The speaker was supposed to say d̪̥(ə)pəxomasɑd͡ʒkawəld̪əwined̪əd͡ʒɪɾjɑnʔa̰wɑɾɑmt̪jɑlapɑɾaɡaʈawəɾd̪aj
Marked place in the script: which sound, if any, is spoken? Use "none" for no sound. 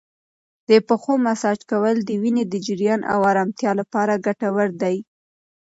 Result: ə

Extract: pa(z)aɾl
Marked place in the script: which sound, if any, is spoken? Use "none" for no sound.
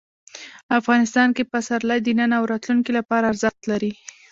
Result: s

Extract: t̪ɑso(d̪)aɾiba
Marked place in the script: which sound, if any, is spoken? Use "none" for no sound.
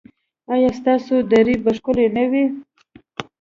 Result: d̪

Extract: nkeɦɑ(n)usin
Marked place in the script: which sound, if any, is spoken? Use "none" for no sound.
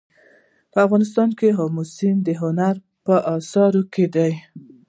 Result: m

